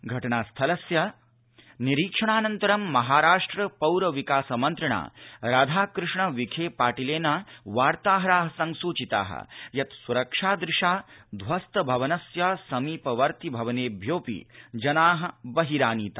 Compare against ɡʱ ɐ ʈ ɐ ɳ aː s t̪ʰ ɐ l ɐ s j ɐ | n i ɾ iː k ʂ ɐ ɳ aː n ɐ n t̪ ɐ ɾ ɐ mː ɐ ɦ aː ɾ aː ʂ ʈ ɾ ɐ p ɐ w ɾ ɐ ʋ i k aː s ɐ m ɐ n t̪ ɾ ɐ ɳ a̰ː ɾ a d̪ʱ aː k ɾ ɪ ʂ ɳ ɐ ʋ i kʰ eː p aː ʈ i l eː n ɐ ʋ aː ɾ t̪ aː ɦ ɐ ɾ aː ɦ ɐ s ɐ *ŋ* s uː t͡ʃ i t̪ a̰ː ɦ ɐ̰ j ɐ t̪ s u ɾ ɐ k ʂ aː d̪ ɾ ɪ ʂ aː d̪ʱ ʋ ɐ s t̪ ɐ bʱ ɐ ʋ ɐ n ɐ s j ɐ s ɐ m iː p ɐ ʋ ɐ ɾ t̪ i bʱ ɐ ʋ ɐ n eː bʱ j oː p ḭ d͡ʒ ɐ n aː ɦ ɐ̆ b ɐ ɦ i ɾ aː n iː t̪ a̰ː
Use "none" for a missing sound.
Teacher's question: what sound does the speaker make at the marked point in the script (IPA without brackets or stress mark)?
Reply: ŋ